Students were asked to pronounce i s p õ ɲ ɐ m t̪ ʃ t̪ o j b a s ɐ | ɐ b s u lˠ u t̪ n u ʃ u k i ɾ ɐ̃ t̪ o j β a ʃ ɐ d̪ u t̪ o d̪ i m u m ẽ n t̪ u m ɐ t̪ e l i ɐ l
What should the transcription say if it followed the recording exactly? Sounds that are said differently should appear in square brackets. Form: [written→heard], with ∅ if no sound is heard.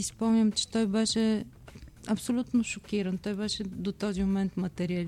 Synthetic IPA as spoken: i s p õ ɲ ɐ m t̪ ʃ t̪ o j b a [s→ʃ] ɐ | ɐ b s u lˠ u t̪ n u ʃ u k i ɾ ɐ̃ t̪ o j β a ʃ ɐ d̪ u t̪ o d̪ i m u m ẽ n t̪ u m ɐ t̪ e [l→ɾ] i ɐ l